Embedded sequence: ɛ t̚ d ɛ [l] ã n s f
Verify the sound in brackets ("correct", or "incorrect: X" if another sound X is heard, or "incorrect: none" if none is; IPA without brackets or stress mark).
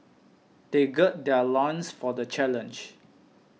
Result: correct